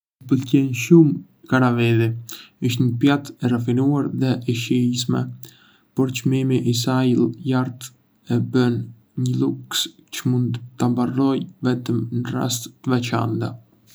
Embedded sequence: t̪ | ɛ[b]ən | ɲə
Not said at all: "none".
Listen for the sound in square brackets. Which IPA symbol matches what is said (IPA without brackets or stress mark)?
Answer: b